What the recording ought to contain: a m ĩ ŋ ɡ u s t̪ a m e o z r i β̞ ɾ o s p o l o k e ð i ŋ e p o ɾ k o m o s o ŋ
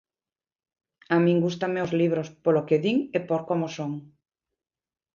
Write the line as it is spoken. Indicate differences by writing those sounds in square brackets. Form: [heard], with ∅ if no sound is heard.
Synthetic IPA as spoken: a m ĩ ŋ ɡ u s t̪ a m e o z [l] i β̞ ɾ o s p o l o k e ð i ŋ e p o ɾ k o m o s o ŋ